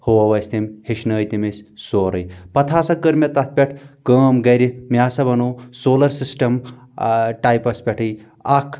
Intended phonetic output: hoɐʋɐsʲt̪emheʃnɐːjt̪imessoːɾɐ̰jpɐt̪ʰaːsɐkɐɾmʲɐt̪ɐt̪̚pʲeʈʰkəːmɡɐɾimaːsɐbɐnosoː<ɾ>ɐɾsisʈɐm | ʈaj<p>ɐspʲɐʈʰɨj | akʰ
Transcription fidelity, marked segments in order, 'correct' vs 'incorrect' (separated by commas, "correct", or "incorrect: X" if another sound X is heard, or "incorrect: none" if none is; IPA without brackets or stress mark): incorrect: l, correct